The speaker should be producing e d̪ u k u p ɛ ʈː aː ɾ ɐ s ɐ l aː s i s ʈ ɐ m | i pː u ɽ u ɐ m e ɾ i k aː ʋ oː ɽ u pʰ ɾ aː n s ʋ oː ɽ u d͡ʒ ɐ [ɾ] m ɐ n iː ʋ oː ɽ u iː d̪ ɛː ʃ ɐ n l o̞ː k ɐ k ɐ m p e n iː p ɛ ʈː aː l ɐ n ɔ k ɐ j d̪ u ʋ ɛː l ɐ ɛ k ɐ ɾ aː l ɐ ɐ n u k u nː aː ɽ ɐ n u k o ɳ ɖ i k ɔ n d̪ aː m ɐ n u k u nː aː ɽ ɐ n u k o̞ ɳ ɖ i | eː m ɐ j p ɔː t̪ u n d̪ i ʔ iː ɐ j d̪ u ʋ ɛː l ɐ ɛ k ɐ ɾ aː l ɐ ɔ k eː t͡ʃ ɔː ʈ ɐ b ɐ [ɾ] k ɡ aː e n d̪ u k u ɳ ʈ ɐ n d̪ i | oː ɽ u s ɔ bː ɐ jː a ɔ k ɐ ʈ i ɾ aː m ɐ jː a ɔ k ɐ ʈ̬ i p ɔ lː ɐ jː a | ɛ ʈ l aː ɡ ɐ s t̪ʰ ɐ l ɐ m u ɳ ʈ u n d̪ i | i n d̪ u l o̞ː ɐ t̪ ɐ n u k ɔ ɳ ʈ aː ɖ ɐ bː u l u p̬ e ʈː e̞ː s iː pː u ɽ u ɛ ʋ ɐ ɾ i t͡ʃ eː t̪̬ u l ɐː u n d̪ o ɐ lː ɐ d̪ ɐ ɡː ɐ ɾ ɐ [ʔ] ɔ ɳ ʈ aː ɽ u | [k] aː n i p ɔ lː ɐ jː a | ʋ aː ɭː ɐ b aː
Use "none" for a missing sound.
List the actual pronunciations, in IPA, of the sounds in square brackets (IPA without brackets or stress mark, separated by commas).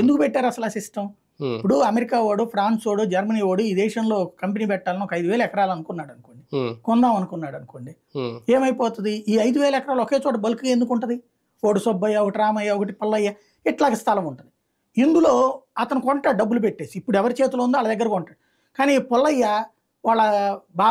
ɾ, l, k, k